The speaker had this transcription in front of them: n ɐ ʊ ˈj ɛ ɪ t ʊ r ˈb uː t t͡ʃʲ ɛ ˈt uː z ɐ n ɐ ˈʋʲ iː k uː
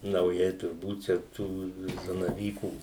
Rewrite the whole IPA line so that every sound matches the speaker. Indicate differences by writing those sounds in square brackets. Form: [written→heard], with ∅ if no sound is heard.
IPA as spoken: n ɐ ʊ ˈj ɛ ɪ t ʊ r ˈb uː t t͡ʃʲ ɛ ˈt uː z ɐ n ɐ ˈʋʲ iː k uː